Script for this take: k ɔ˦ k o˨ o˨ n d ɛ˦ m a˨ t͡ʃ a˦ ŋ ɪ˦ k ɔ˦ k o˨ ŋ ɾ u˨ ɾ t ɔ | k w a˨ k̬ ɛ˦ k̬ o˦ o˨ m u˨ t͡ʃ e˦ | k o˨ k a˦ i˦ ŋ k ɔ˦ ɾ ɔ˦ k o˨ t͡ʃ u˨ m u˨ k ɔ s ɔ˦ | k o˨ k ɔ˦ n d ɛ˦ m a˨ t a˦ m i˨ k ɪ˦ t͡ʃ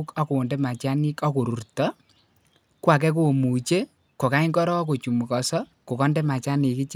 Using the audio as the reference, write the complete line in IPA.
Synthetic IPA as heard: k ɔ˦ k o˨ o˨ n d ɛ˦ m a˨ t͡ʃ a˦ n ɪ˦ k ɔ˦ k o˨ ɾ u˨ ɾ t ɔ | k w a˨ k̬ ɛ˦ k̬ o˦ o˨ m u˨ t͡ʃ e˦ | k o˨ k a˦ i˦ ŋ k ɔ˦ ɾ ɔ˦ k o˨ t͡ʃ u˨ m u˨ k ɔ s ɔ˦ | k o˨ k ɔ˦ n d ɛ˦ m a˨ t͡ʃ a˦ n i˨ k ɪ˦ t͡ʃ